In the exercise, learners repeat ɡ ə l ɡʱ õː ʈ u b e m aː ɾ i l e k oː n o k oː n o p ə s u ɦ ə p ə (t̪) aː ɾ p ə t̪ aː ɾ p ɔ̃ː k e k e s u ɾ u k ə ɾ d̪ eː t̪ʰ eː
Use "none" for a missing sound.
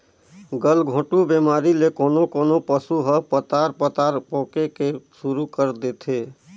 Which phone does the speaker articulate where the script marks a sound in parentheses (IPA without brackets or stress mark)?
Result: t̪